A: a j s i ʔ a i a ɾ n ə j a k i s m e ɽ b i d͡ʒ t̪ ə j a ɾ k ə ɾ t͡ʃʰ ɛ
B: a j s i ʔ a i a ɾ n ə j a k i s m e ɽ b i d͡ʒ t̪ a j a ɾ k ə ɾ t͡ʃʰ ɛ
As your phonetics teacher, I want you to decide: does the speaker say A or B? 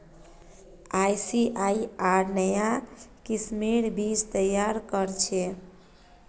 A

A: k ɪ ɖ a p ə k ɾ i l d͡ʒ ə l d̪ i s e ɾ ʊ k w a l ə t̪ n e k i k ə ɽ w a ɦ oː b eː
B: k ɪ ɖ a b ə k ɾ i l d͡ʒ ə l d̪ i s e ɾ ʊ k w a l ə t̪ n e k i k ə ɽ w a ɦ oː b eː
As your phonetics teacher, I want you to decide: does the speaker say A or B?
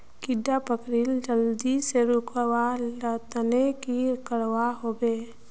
A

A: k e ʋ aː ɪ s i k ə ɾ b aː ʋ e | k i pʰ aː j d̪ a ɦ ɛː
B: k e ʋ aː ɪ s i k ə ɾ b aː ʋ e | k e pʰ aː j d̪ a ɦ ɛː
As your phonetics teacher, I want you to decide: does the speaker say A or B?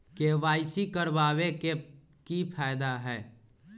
A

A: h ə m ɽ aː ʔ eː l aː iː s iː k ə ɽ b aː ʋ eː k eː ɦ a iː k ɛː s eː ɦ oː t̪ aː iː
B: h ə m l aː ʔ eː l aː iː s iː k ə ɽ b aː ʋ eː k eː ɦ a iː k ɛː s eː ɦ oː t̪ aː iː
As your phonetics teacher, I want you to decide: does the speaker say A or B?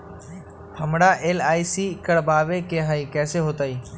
A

